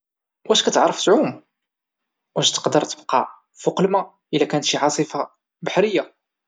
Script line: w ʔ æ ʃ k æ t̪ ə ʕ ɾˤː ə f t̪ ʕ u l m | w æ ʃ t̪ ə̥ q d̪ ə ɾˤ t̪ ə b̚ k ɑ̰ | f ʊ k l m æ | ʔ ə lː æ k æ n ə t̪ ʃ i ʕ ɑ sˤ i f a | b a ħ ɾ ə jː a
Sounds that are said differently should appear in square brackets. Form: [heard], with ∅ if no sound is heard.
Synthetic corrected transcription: w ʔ æ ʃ k æ t̪ ə ʕ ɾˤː ə f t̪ ʕ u [∅] m | w æ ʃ t̪ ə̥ q d̪ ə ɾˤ t̪ ə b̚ [q] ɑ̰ | f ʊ [q] l m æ | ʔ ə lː æ k æ n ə t̪ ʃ i ʕ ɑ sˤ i f a | b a ħ ɾ ə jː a